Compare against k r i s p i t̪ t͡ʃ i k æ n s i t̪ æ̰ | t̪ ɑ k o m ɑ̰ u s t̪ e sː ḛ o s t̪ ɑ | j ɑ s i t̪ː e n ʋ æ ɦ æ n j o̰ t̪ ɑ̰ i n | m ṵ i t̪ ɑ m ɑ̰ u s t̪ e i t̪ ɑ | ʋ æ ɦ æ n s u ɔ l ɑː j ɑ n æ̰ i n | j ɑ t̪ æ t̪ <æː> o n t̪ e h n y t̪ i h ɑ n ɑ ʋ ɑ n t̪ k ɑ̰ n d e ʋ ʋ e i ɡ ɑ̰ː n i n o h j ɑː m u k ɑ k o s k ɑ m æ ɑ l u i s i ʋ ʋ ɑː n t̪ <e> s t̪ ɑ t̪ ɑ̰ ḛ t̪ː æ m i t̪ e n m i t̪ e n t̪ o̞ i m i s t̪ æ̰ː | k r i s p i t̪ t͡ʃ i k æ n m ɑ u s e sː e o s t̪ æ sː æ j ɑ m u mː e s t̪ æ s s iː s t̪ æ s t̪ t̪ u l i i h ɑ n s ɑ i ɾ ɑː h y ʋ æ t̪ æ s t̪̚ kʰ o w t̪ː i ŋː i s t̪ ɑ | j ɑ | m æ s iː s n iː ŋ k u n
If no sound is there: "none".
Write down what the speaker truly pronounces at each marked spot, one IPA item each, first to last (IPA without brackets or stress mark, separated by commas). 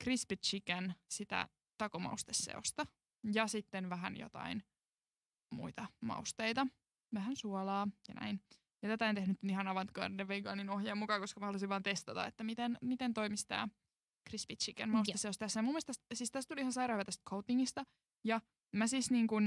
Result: æ, e